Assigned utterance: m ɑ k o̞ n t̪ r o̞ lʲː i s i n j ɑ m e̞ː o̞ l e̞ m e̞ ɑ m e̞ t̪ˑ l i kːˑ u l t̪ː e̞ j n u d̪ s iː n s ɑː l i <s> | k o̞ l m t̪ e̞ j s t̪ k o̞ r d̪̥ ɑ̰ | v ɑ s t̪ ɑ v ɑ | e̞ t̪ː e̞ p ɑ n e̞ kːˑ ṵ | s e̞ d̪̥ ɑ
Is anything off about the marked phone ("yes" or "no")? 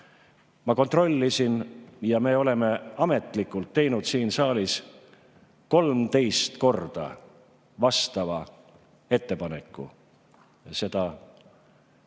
no